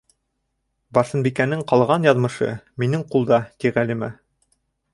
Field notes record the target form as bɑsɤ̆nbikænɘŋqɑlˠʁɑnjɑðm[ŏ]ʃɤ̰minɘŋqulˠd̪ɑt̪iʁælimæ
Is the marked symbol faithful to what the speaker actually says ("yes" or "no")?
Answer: no